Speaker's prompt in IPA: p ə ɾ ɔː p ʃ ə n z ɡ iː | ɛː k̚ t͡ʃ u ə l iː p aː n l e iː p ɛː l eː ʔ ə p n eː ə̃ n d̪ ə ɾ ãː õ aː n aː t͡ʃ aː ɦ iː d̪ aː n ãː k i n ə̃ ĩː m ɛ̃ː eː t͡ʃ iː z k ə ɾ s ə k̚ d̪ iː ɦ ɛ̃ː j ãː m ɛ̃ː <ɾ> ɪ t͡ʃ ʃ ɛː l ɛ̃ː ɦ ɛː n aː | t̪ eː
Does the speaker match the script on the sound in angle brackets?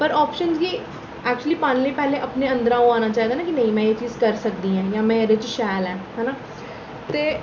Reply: yes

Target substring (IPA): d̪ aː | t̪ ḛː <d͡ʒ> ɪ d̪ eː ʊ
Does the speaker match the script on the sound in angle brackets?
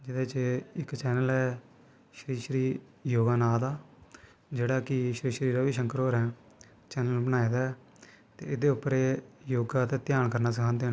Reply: no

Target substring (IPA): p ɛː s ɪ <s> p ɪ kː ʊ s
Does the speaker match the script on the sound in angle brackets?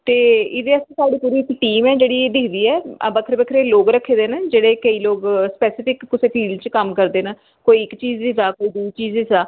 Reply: no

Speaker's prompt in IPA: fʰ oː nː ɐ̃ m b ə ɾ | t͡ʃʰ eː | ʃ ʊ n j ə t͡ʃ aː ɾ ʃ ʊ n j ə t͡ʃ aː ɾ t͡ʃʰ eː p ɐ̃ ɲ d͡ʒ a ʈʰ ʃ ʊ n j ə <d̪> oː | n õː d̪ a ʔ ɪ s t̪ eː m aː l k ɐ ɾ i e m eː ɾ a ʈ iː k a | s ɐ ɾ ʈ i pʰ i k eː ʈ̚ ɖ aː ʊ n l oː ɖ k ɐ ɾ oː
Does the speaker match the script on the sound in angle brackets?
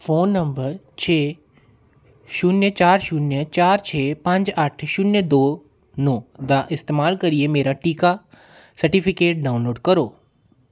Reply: yes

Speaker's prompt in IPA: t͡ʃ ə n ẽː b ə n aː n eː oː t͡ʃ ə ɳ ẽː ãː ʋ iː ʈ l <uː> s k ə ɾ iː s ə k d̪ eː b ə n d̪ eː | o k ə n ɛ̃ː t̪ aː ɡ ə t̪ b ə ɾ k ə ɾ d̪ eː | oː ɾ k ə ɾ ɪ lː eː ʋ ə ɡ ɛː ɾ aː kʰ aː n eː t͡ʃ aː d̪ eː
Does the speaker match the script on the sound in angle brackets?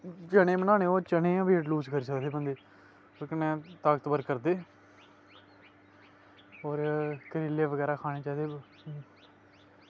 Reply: yes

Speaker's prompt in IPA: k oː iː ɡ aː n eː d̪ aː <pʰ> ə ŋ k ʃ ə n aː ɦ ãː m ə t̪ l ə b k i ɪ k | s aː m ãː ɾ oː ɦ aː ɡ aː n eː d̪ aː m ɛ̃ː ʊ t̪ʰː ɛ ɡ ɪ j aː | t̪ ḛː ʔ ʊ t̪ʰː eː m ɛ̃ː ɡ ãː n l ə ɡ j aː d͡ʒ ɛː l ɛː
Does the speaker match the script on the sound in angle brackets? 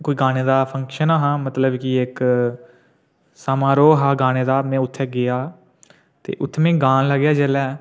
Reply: yes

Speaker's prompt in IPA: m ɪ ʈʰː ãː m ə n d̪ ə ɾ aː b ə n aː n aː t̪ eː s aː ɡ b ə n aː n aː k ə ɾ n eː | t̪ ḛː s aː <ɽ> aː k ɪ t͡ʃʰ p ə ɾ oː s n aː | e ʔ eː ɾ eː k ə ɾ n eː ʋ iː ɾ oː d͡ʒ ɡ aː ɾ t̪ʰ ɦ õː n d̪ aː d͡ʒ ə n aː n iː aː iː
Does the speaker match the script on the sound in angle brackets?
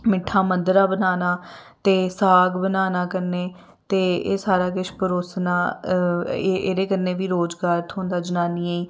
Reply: no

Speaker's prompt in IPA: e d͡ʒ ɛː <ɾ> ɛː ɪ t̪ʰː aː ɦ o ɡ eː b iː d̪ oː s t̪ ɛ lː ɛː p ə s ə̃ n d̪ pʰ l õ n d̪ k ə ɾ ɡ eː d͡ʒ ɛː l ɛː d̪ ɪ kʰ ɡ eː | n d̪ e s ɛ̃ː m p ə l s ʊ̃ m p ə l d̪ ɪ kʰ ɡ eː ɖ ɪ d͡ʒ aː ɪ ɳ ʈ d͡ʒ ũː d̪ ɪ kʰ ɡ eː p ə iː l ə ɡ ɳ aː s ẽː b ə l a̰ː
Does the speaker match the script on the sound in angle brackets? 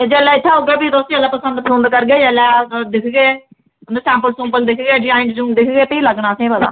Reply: no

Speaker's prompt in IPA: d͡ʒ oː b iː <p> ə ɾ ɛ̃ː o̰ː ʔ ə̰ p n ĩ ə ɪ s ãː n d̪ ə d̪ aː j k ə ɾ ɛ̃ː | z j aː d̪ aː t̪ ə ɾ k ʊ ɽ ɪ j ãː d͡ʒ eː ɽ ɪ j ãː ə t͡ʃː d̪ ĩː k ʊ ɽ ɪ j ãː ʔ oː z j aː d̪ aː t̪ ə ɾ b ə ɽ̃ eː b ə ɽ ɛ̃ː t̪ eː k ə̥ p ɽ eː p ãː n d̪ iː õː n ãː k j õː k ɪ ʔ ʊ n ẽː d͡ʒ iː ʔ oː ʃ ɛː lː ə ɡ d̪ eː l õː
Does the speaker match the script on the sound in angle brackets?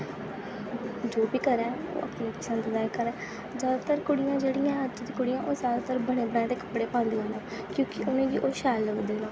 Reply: no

